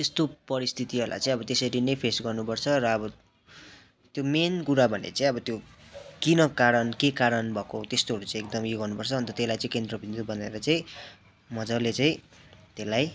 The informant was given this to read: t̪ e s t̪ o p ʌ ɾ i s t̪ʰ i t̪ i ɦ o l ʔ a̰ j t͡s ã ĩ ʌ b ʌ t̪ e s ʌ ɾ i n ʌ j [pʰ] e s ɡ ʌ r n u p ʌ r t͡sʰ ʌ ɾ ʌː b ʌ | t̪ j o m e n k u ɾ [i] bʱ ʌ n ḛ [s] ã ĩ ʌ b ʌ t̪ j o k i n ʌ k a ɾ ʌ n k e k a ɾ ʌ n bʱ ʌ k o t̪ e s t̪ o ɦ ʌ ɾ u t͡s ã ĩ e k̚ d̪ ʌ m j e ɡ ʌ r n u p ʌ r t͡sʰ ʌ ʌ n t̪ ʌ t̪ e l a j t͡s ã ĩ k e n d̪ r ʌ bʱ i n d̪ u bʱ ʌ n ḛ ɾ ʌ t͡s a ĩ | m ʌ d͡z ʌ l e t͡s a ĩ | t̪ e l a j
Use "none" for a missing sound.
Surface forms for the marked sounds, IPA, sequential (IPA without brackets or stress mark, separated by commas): pʰ, a, t͡s